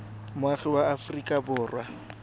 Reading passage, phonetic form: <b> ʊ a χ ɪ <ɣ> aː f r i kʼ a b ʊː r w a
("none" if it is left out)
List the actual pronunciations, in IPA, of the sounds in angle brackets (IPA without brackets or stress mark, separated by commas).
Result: m, w